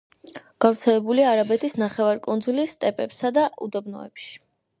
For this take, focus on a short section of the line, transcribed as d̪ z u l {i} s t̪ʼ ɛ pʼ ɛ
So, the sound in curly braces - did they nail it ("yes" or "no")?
yes